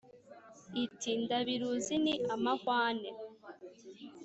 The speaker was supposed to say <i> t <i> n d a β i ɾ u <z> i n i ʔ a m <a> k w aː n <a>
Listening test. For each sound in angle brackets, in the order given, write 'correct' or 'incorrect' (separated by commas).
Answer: correct, correct, correct, correct, incorrect